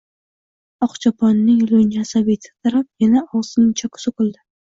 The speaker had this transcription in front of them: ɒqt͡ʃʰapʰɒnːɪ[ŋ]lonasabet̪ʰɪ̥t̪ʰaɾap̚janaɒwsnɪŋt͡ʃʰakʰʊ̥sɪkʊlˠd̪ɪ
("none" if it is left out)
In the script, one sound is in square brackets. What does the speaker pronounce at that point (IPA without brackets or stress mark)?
ŋ